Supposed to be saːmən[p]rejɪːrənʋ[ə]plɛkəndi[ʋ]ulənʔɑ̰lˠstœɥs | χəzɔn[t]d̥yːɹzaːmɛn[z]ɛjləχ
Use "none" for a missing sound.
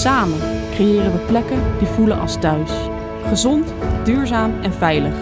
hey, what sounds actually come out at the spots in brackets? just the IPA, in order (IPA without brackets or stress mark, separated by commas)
k, ə, v, t, v